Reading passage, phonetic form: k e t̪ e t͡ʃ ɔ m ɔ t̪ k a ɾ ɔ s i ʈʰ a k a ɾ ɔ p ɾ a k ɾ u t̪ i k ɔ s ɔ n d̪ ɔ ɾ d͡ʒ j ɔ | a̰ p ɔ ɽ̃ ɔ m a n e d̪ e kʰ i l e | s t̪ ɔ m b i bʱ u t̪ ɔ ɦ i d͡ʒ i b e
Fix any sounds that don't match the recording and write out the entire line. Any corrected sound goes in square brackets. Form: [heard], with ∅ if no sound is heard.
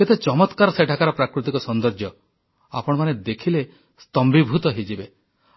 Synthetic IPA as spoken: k e t̪ e t͡ʃ ɔ m ɔ t̪ k a ɾ ɔ s [e] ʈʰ a k a ɾ ɔ p ɾ a k ɾ u t̪ i k ɔ s ɔ n d̪ ɔ ɾ d͡ʒ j ɔ | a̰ p ɔ ɽ̃ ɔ m a n e d̪ e kʰ i l e | s t̪ ɔ m b i bʱ u t̪ ɔ ɦ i d͡ʒ i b e